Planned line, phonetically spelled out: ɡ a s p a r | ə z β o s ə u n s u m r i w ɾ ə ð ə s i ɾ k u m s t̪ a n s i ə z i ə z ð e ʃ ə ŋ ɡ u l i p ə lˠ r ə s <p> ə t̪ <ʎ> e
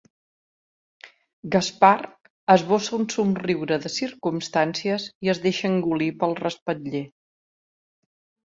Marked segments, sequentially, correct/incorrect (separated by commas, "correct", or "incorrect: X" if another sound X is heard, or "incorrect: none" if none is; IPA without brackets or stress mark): correct, correct